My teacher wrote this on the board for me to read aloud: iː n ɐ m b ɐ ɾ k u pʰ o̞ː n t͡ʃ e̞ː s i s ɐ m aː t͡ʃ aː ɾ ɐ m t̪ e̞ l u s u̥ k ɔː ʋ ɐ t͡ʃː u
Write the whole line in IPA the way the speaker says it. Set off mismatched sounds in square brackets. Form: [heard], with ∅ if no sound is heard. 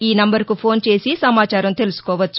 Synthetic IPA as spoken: iː n ɐ m b ɐ ɾ k u pʰ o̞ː n t͡ʃ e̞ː s i s ɐ m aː t͡ʃ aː ɾ ɐ m t̪ e̞ l u s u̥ k ɔː ʋ ɐ t͡ʃː u